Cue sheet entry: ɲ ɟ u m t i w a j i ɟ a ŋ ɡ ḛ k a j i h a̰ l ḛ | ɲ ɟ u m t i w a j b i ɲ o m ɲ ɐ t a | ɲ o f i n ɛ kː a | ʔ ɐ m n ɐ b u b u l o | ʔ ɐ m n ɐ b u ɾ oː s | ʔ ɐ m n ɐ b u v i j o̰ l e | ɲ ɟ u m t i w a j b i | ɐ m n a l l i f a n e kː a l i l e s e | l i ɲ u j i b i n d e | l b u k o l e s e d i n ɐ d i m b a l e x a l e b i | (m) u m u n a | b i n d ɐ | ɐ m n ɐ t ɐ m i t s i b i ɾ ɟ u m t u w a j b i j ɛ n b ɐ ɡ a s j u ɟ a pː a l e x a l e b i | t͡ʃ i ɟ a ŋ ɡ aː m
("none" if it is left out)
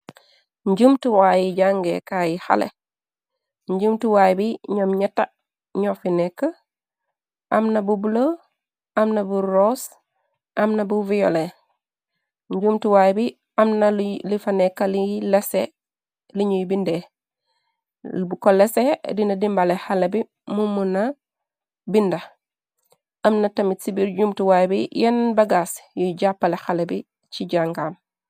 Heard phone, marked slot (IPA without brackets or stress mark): m